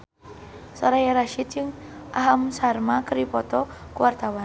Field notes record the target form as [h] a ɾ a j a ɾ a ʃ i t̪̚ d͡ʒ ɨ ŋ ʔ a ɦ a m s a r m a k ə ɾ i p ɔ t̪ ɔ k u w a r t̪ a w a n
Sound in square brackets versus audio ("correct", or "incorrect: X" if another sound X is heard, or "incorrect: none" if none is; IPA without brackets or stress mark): incorrect: s